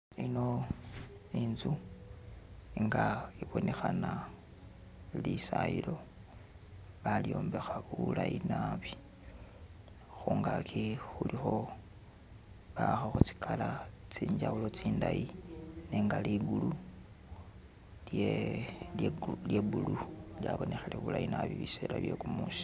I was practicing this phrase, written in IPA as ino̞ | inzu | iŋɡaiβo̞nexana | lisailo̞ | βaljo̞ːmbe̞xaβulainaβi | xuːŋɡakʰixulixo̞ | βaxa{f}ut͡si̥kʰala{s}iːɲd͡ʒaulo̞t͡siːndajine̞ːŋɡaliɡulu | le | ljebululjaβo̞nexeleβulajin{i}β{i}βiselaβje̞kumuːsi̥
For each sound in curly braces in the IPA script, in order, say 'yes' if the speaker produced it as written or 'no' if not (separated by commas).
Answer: no, no, no, yes